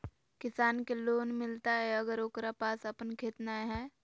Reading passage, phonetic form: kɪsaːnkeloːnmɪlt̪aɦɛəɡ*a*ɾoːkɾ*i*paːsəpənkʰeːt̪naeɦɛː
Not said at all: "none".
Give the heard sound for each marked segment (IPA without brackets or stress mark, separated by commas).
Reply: ə, a